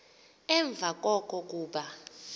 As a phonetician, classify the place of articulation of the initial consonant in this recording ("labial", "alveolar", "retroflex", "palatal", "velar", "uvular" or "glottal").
labial